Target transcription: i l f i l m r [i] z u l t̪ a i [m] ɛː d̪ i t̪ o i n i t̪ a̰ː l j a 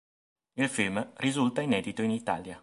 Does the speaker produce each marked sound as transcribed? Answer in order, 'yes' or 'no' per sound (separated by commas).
yes, no